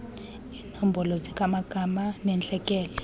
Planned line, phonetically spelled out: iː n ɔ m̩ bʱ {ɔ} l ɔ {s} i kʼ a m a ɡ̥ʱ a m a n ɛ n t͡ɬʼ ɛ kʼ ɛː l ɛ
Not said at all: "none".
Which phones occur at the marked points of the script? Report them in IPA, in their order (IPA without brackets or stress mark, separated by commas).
ɔ, z